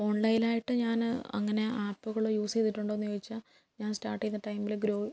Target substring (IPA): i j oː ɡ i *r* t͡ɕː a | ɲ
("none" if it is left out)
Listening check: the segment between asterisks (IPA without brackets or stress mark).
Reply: none